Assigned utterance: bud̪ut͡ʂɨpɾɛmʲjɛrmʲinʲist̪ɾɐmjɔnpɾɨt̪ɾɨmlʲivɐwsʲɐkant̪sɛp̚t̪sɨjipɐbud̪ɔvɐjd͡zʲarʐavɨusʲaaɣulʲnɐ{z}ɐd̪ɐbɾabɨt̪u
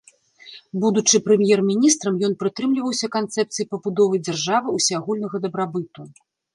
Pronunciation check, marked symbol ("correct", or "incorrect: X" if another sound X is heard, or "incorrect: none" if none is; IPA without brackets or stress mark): incorrect: ɣ